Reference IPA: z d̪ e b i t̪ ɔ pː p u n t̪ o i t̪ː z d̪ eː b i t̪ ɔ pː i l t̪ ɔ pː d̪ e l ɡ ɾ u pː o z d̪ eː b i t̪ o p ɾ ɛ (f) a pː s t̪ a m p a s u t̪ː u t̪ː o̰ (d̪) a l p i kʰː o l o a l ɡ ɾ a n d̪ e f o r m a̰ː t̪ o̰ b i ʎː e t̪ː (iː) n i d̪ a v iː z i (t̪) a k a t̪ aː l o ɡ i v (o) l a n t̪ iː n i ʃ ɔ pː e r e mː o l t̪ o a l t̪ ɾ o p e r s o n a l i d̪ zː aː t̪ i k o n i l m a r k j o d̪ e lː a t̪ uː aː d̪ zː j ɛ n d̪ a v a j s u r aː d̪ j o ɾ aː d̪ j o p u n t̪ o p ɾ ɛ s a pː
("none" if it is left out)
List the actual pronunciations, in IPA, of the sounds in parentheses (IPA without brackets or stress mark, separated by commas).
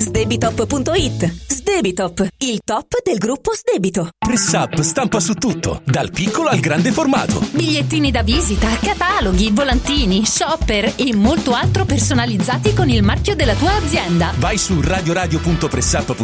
s, d̪, iː, t̪, o